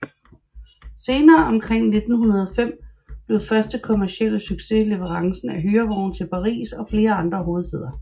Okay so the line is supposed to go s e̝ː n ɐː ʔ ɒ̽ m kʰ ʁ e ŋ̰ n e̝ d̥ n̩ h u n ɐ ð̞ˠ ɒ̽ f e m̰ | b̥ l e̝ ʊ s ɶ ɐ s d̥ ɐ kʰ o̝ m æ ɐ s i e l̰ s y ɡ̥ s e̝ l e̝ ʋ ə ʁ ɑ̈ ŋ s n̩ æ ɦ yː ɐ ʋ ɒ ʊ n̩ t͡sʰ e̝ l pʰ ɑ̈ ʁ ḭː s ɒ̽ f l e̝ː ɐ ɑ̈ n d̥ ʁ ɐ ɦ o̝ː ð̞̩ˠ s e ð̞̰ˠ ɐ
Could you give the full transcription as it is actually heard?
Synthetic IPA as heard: s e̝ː n ɐː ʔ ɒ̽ m kʰ ʁ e ŋ̰ n e̝ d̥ n̩ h u n ɐ ð̞ˠ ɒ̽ f e m̰ | b̥ l e̝ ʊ f ɶ ɐ s d̥ ə kʰ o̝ m æ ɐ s i e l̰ s y ɡ̥ s e̝ l e̝ ʋ ə ʁ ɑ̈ ŋ s n̩ æ ɦ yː ɐ ʋ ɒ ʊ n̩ t͡sʰ e̝ l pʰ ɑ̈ ʁ ḭː s ɒ̽ f l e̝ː ɐ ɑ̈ n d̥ ʁ ɐ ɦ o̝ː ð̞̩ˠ s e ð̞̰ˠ ɐ